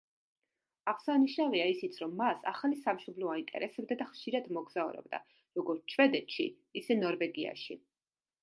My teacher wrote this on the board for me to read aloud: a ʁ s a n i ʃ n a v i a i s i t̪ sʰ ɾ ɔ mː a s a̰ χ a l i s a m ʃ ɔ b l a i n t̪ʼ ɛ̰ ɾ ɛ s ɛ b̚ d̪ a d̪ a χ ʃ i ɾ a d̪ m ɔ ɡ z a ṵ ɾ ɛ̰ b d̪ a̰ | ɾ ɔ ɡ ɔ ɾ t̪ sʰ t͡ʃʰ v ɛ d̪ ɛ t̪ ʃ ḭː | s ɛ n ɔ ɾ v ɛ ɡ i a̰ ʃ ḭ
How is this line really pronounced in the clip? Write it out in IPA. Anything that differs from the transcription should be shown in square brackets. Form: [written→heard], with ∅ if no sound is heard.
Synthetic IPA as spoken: a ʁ s a n i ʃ n a v i a i s i t̪ sʰ ɾ ɔ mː a s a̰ χ a l i s a m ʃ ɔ b l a i n t̪ʼ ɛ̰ ɾ ɛ s ɛ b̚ d̪ a d̪ a χ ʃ i ɾ a d̪ m ɔ ɡ z a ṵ ɾ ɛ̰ b d̪ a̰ | ɾ ɔ ɡ ɔ ɾ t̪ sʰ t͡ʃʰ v ɛ d̪ ɛ t̪ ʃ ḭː | s ɛ n ɔ ɾ v ɛ ɡ i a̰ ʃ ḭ